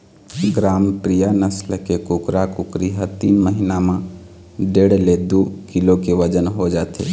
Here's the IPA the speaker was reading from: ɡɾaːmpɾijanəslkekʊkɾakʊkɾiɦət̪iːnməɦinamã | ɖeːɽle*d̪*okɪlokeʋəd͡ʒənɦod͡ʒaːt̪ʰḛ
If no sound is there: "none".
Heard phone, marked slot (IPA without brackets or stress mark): d̪